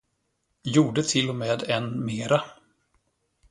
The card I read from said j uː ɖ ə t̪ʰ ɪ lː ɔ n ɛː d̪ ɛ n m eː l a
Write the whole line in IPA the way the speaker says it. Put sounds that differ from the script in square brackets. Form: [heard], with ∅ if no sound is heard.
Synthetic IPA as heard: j uː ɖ ə t̪ʰ ɪ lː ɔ [m] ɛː d̪ ɛ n m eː [ɾ] a